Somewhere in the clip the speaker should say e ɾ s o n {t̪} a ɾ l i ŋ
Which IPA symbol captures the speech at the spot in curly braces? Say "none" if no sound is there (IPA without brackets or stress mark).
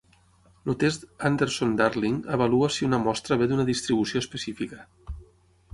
d̪